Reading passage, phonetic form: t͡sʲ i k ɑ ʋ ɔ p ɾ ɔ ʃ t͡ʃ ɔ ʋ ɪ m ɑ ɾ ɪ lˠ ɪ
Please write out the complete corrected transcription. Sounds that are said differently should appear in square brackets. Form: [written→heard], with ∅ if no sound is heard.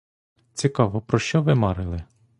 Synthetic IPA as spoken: t͡sʲ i k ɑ ʋ ɔ p ɾ ɔ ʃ t͡ʃ ɔ ʋ ɪ m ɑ ɾ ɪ lˠ ɪ